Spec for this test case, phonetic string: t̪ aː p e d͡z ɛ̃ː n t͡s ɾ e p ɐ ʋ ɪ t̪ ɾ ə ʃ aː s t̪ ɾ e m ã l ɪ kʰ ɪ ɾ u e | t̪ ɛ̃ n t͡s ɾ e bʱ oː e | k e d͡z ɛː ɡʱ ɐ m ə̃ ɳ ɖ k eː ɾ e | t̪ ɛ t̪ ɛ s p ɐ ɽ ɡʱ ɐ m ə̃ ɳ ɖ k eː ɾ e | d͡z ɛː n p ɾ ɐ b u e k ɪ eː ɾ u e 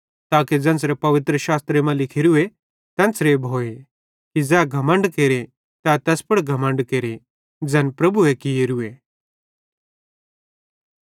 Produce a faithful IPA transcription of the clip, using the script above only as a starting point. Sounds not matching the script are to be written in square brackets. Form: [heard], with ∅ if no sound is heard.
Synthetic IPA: t̪ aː [k] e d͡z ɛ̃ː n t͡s ɾ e p ɐ ʋ ɪ t̪ ɾ ə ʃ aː s t̪ ɾ e m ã l ɪ kʰ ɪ ɾ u e | t̪ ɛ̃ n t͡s ɾ e bʱ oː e | k [i] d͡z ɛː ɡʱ ɐ m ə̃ ɳ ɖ k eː ɾ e | t̪ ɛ t̪ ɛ s p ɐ ɽ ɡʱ ɐ m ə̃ ɳ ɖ k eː ɾ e | d͡z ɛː n p ɾ ɐ b u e k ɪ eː ɾ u e